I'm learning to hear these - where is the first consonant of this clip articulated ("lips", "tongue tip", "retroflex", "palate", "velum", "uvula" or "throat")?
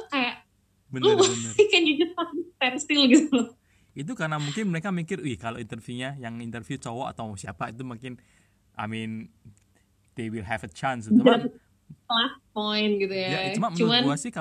velum